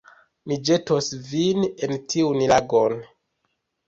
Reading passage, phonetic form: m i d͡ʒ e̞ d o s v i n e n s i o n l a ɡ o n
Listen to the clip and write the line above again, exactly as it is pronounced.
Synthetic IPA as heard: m i d͡ʒ e̞ t o s v i n e n t i u n l a ɡ o n